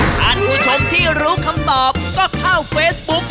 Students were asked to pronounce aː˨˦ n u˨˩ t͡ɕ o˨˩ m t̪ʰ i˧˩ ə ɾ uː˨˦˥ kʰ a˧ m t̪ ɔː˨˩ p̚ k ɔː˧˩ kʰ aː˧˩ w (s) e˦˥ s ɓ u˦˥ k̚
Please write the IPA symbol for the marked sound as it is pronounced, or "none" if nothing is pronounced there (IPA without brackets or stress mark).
f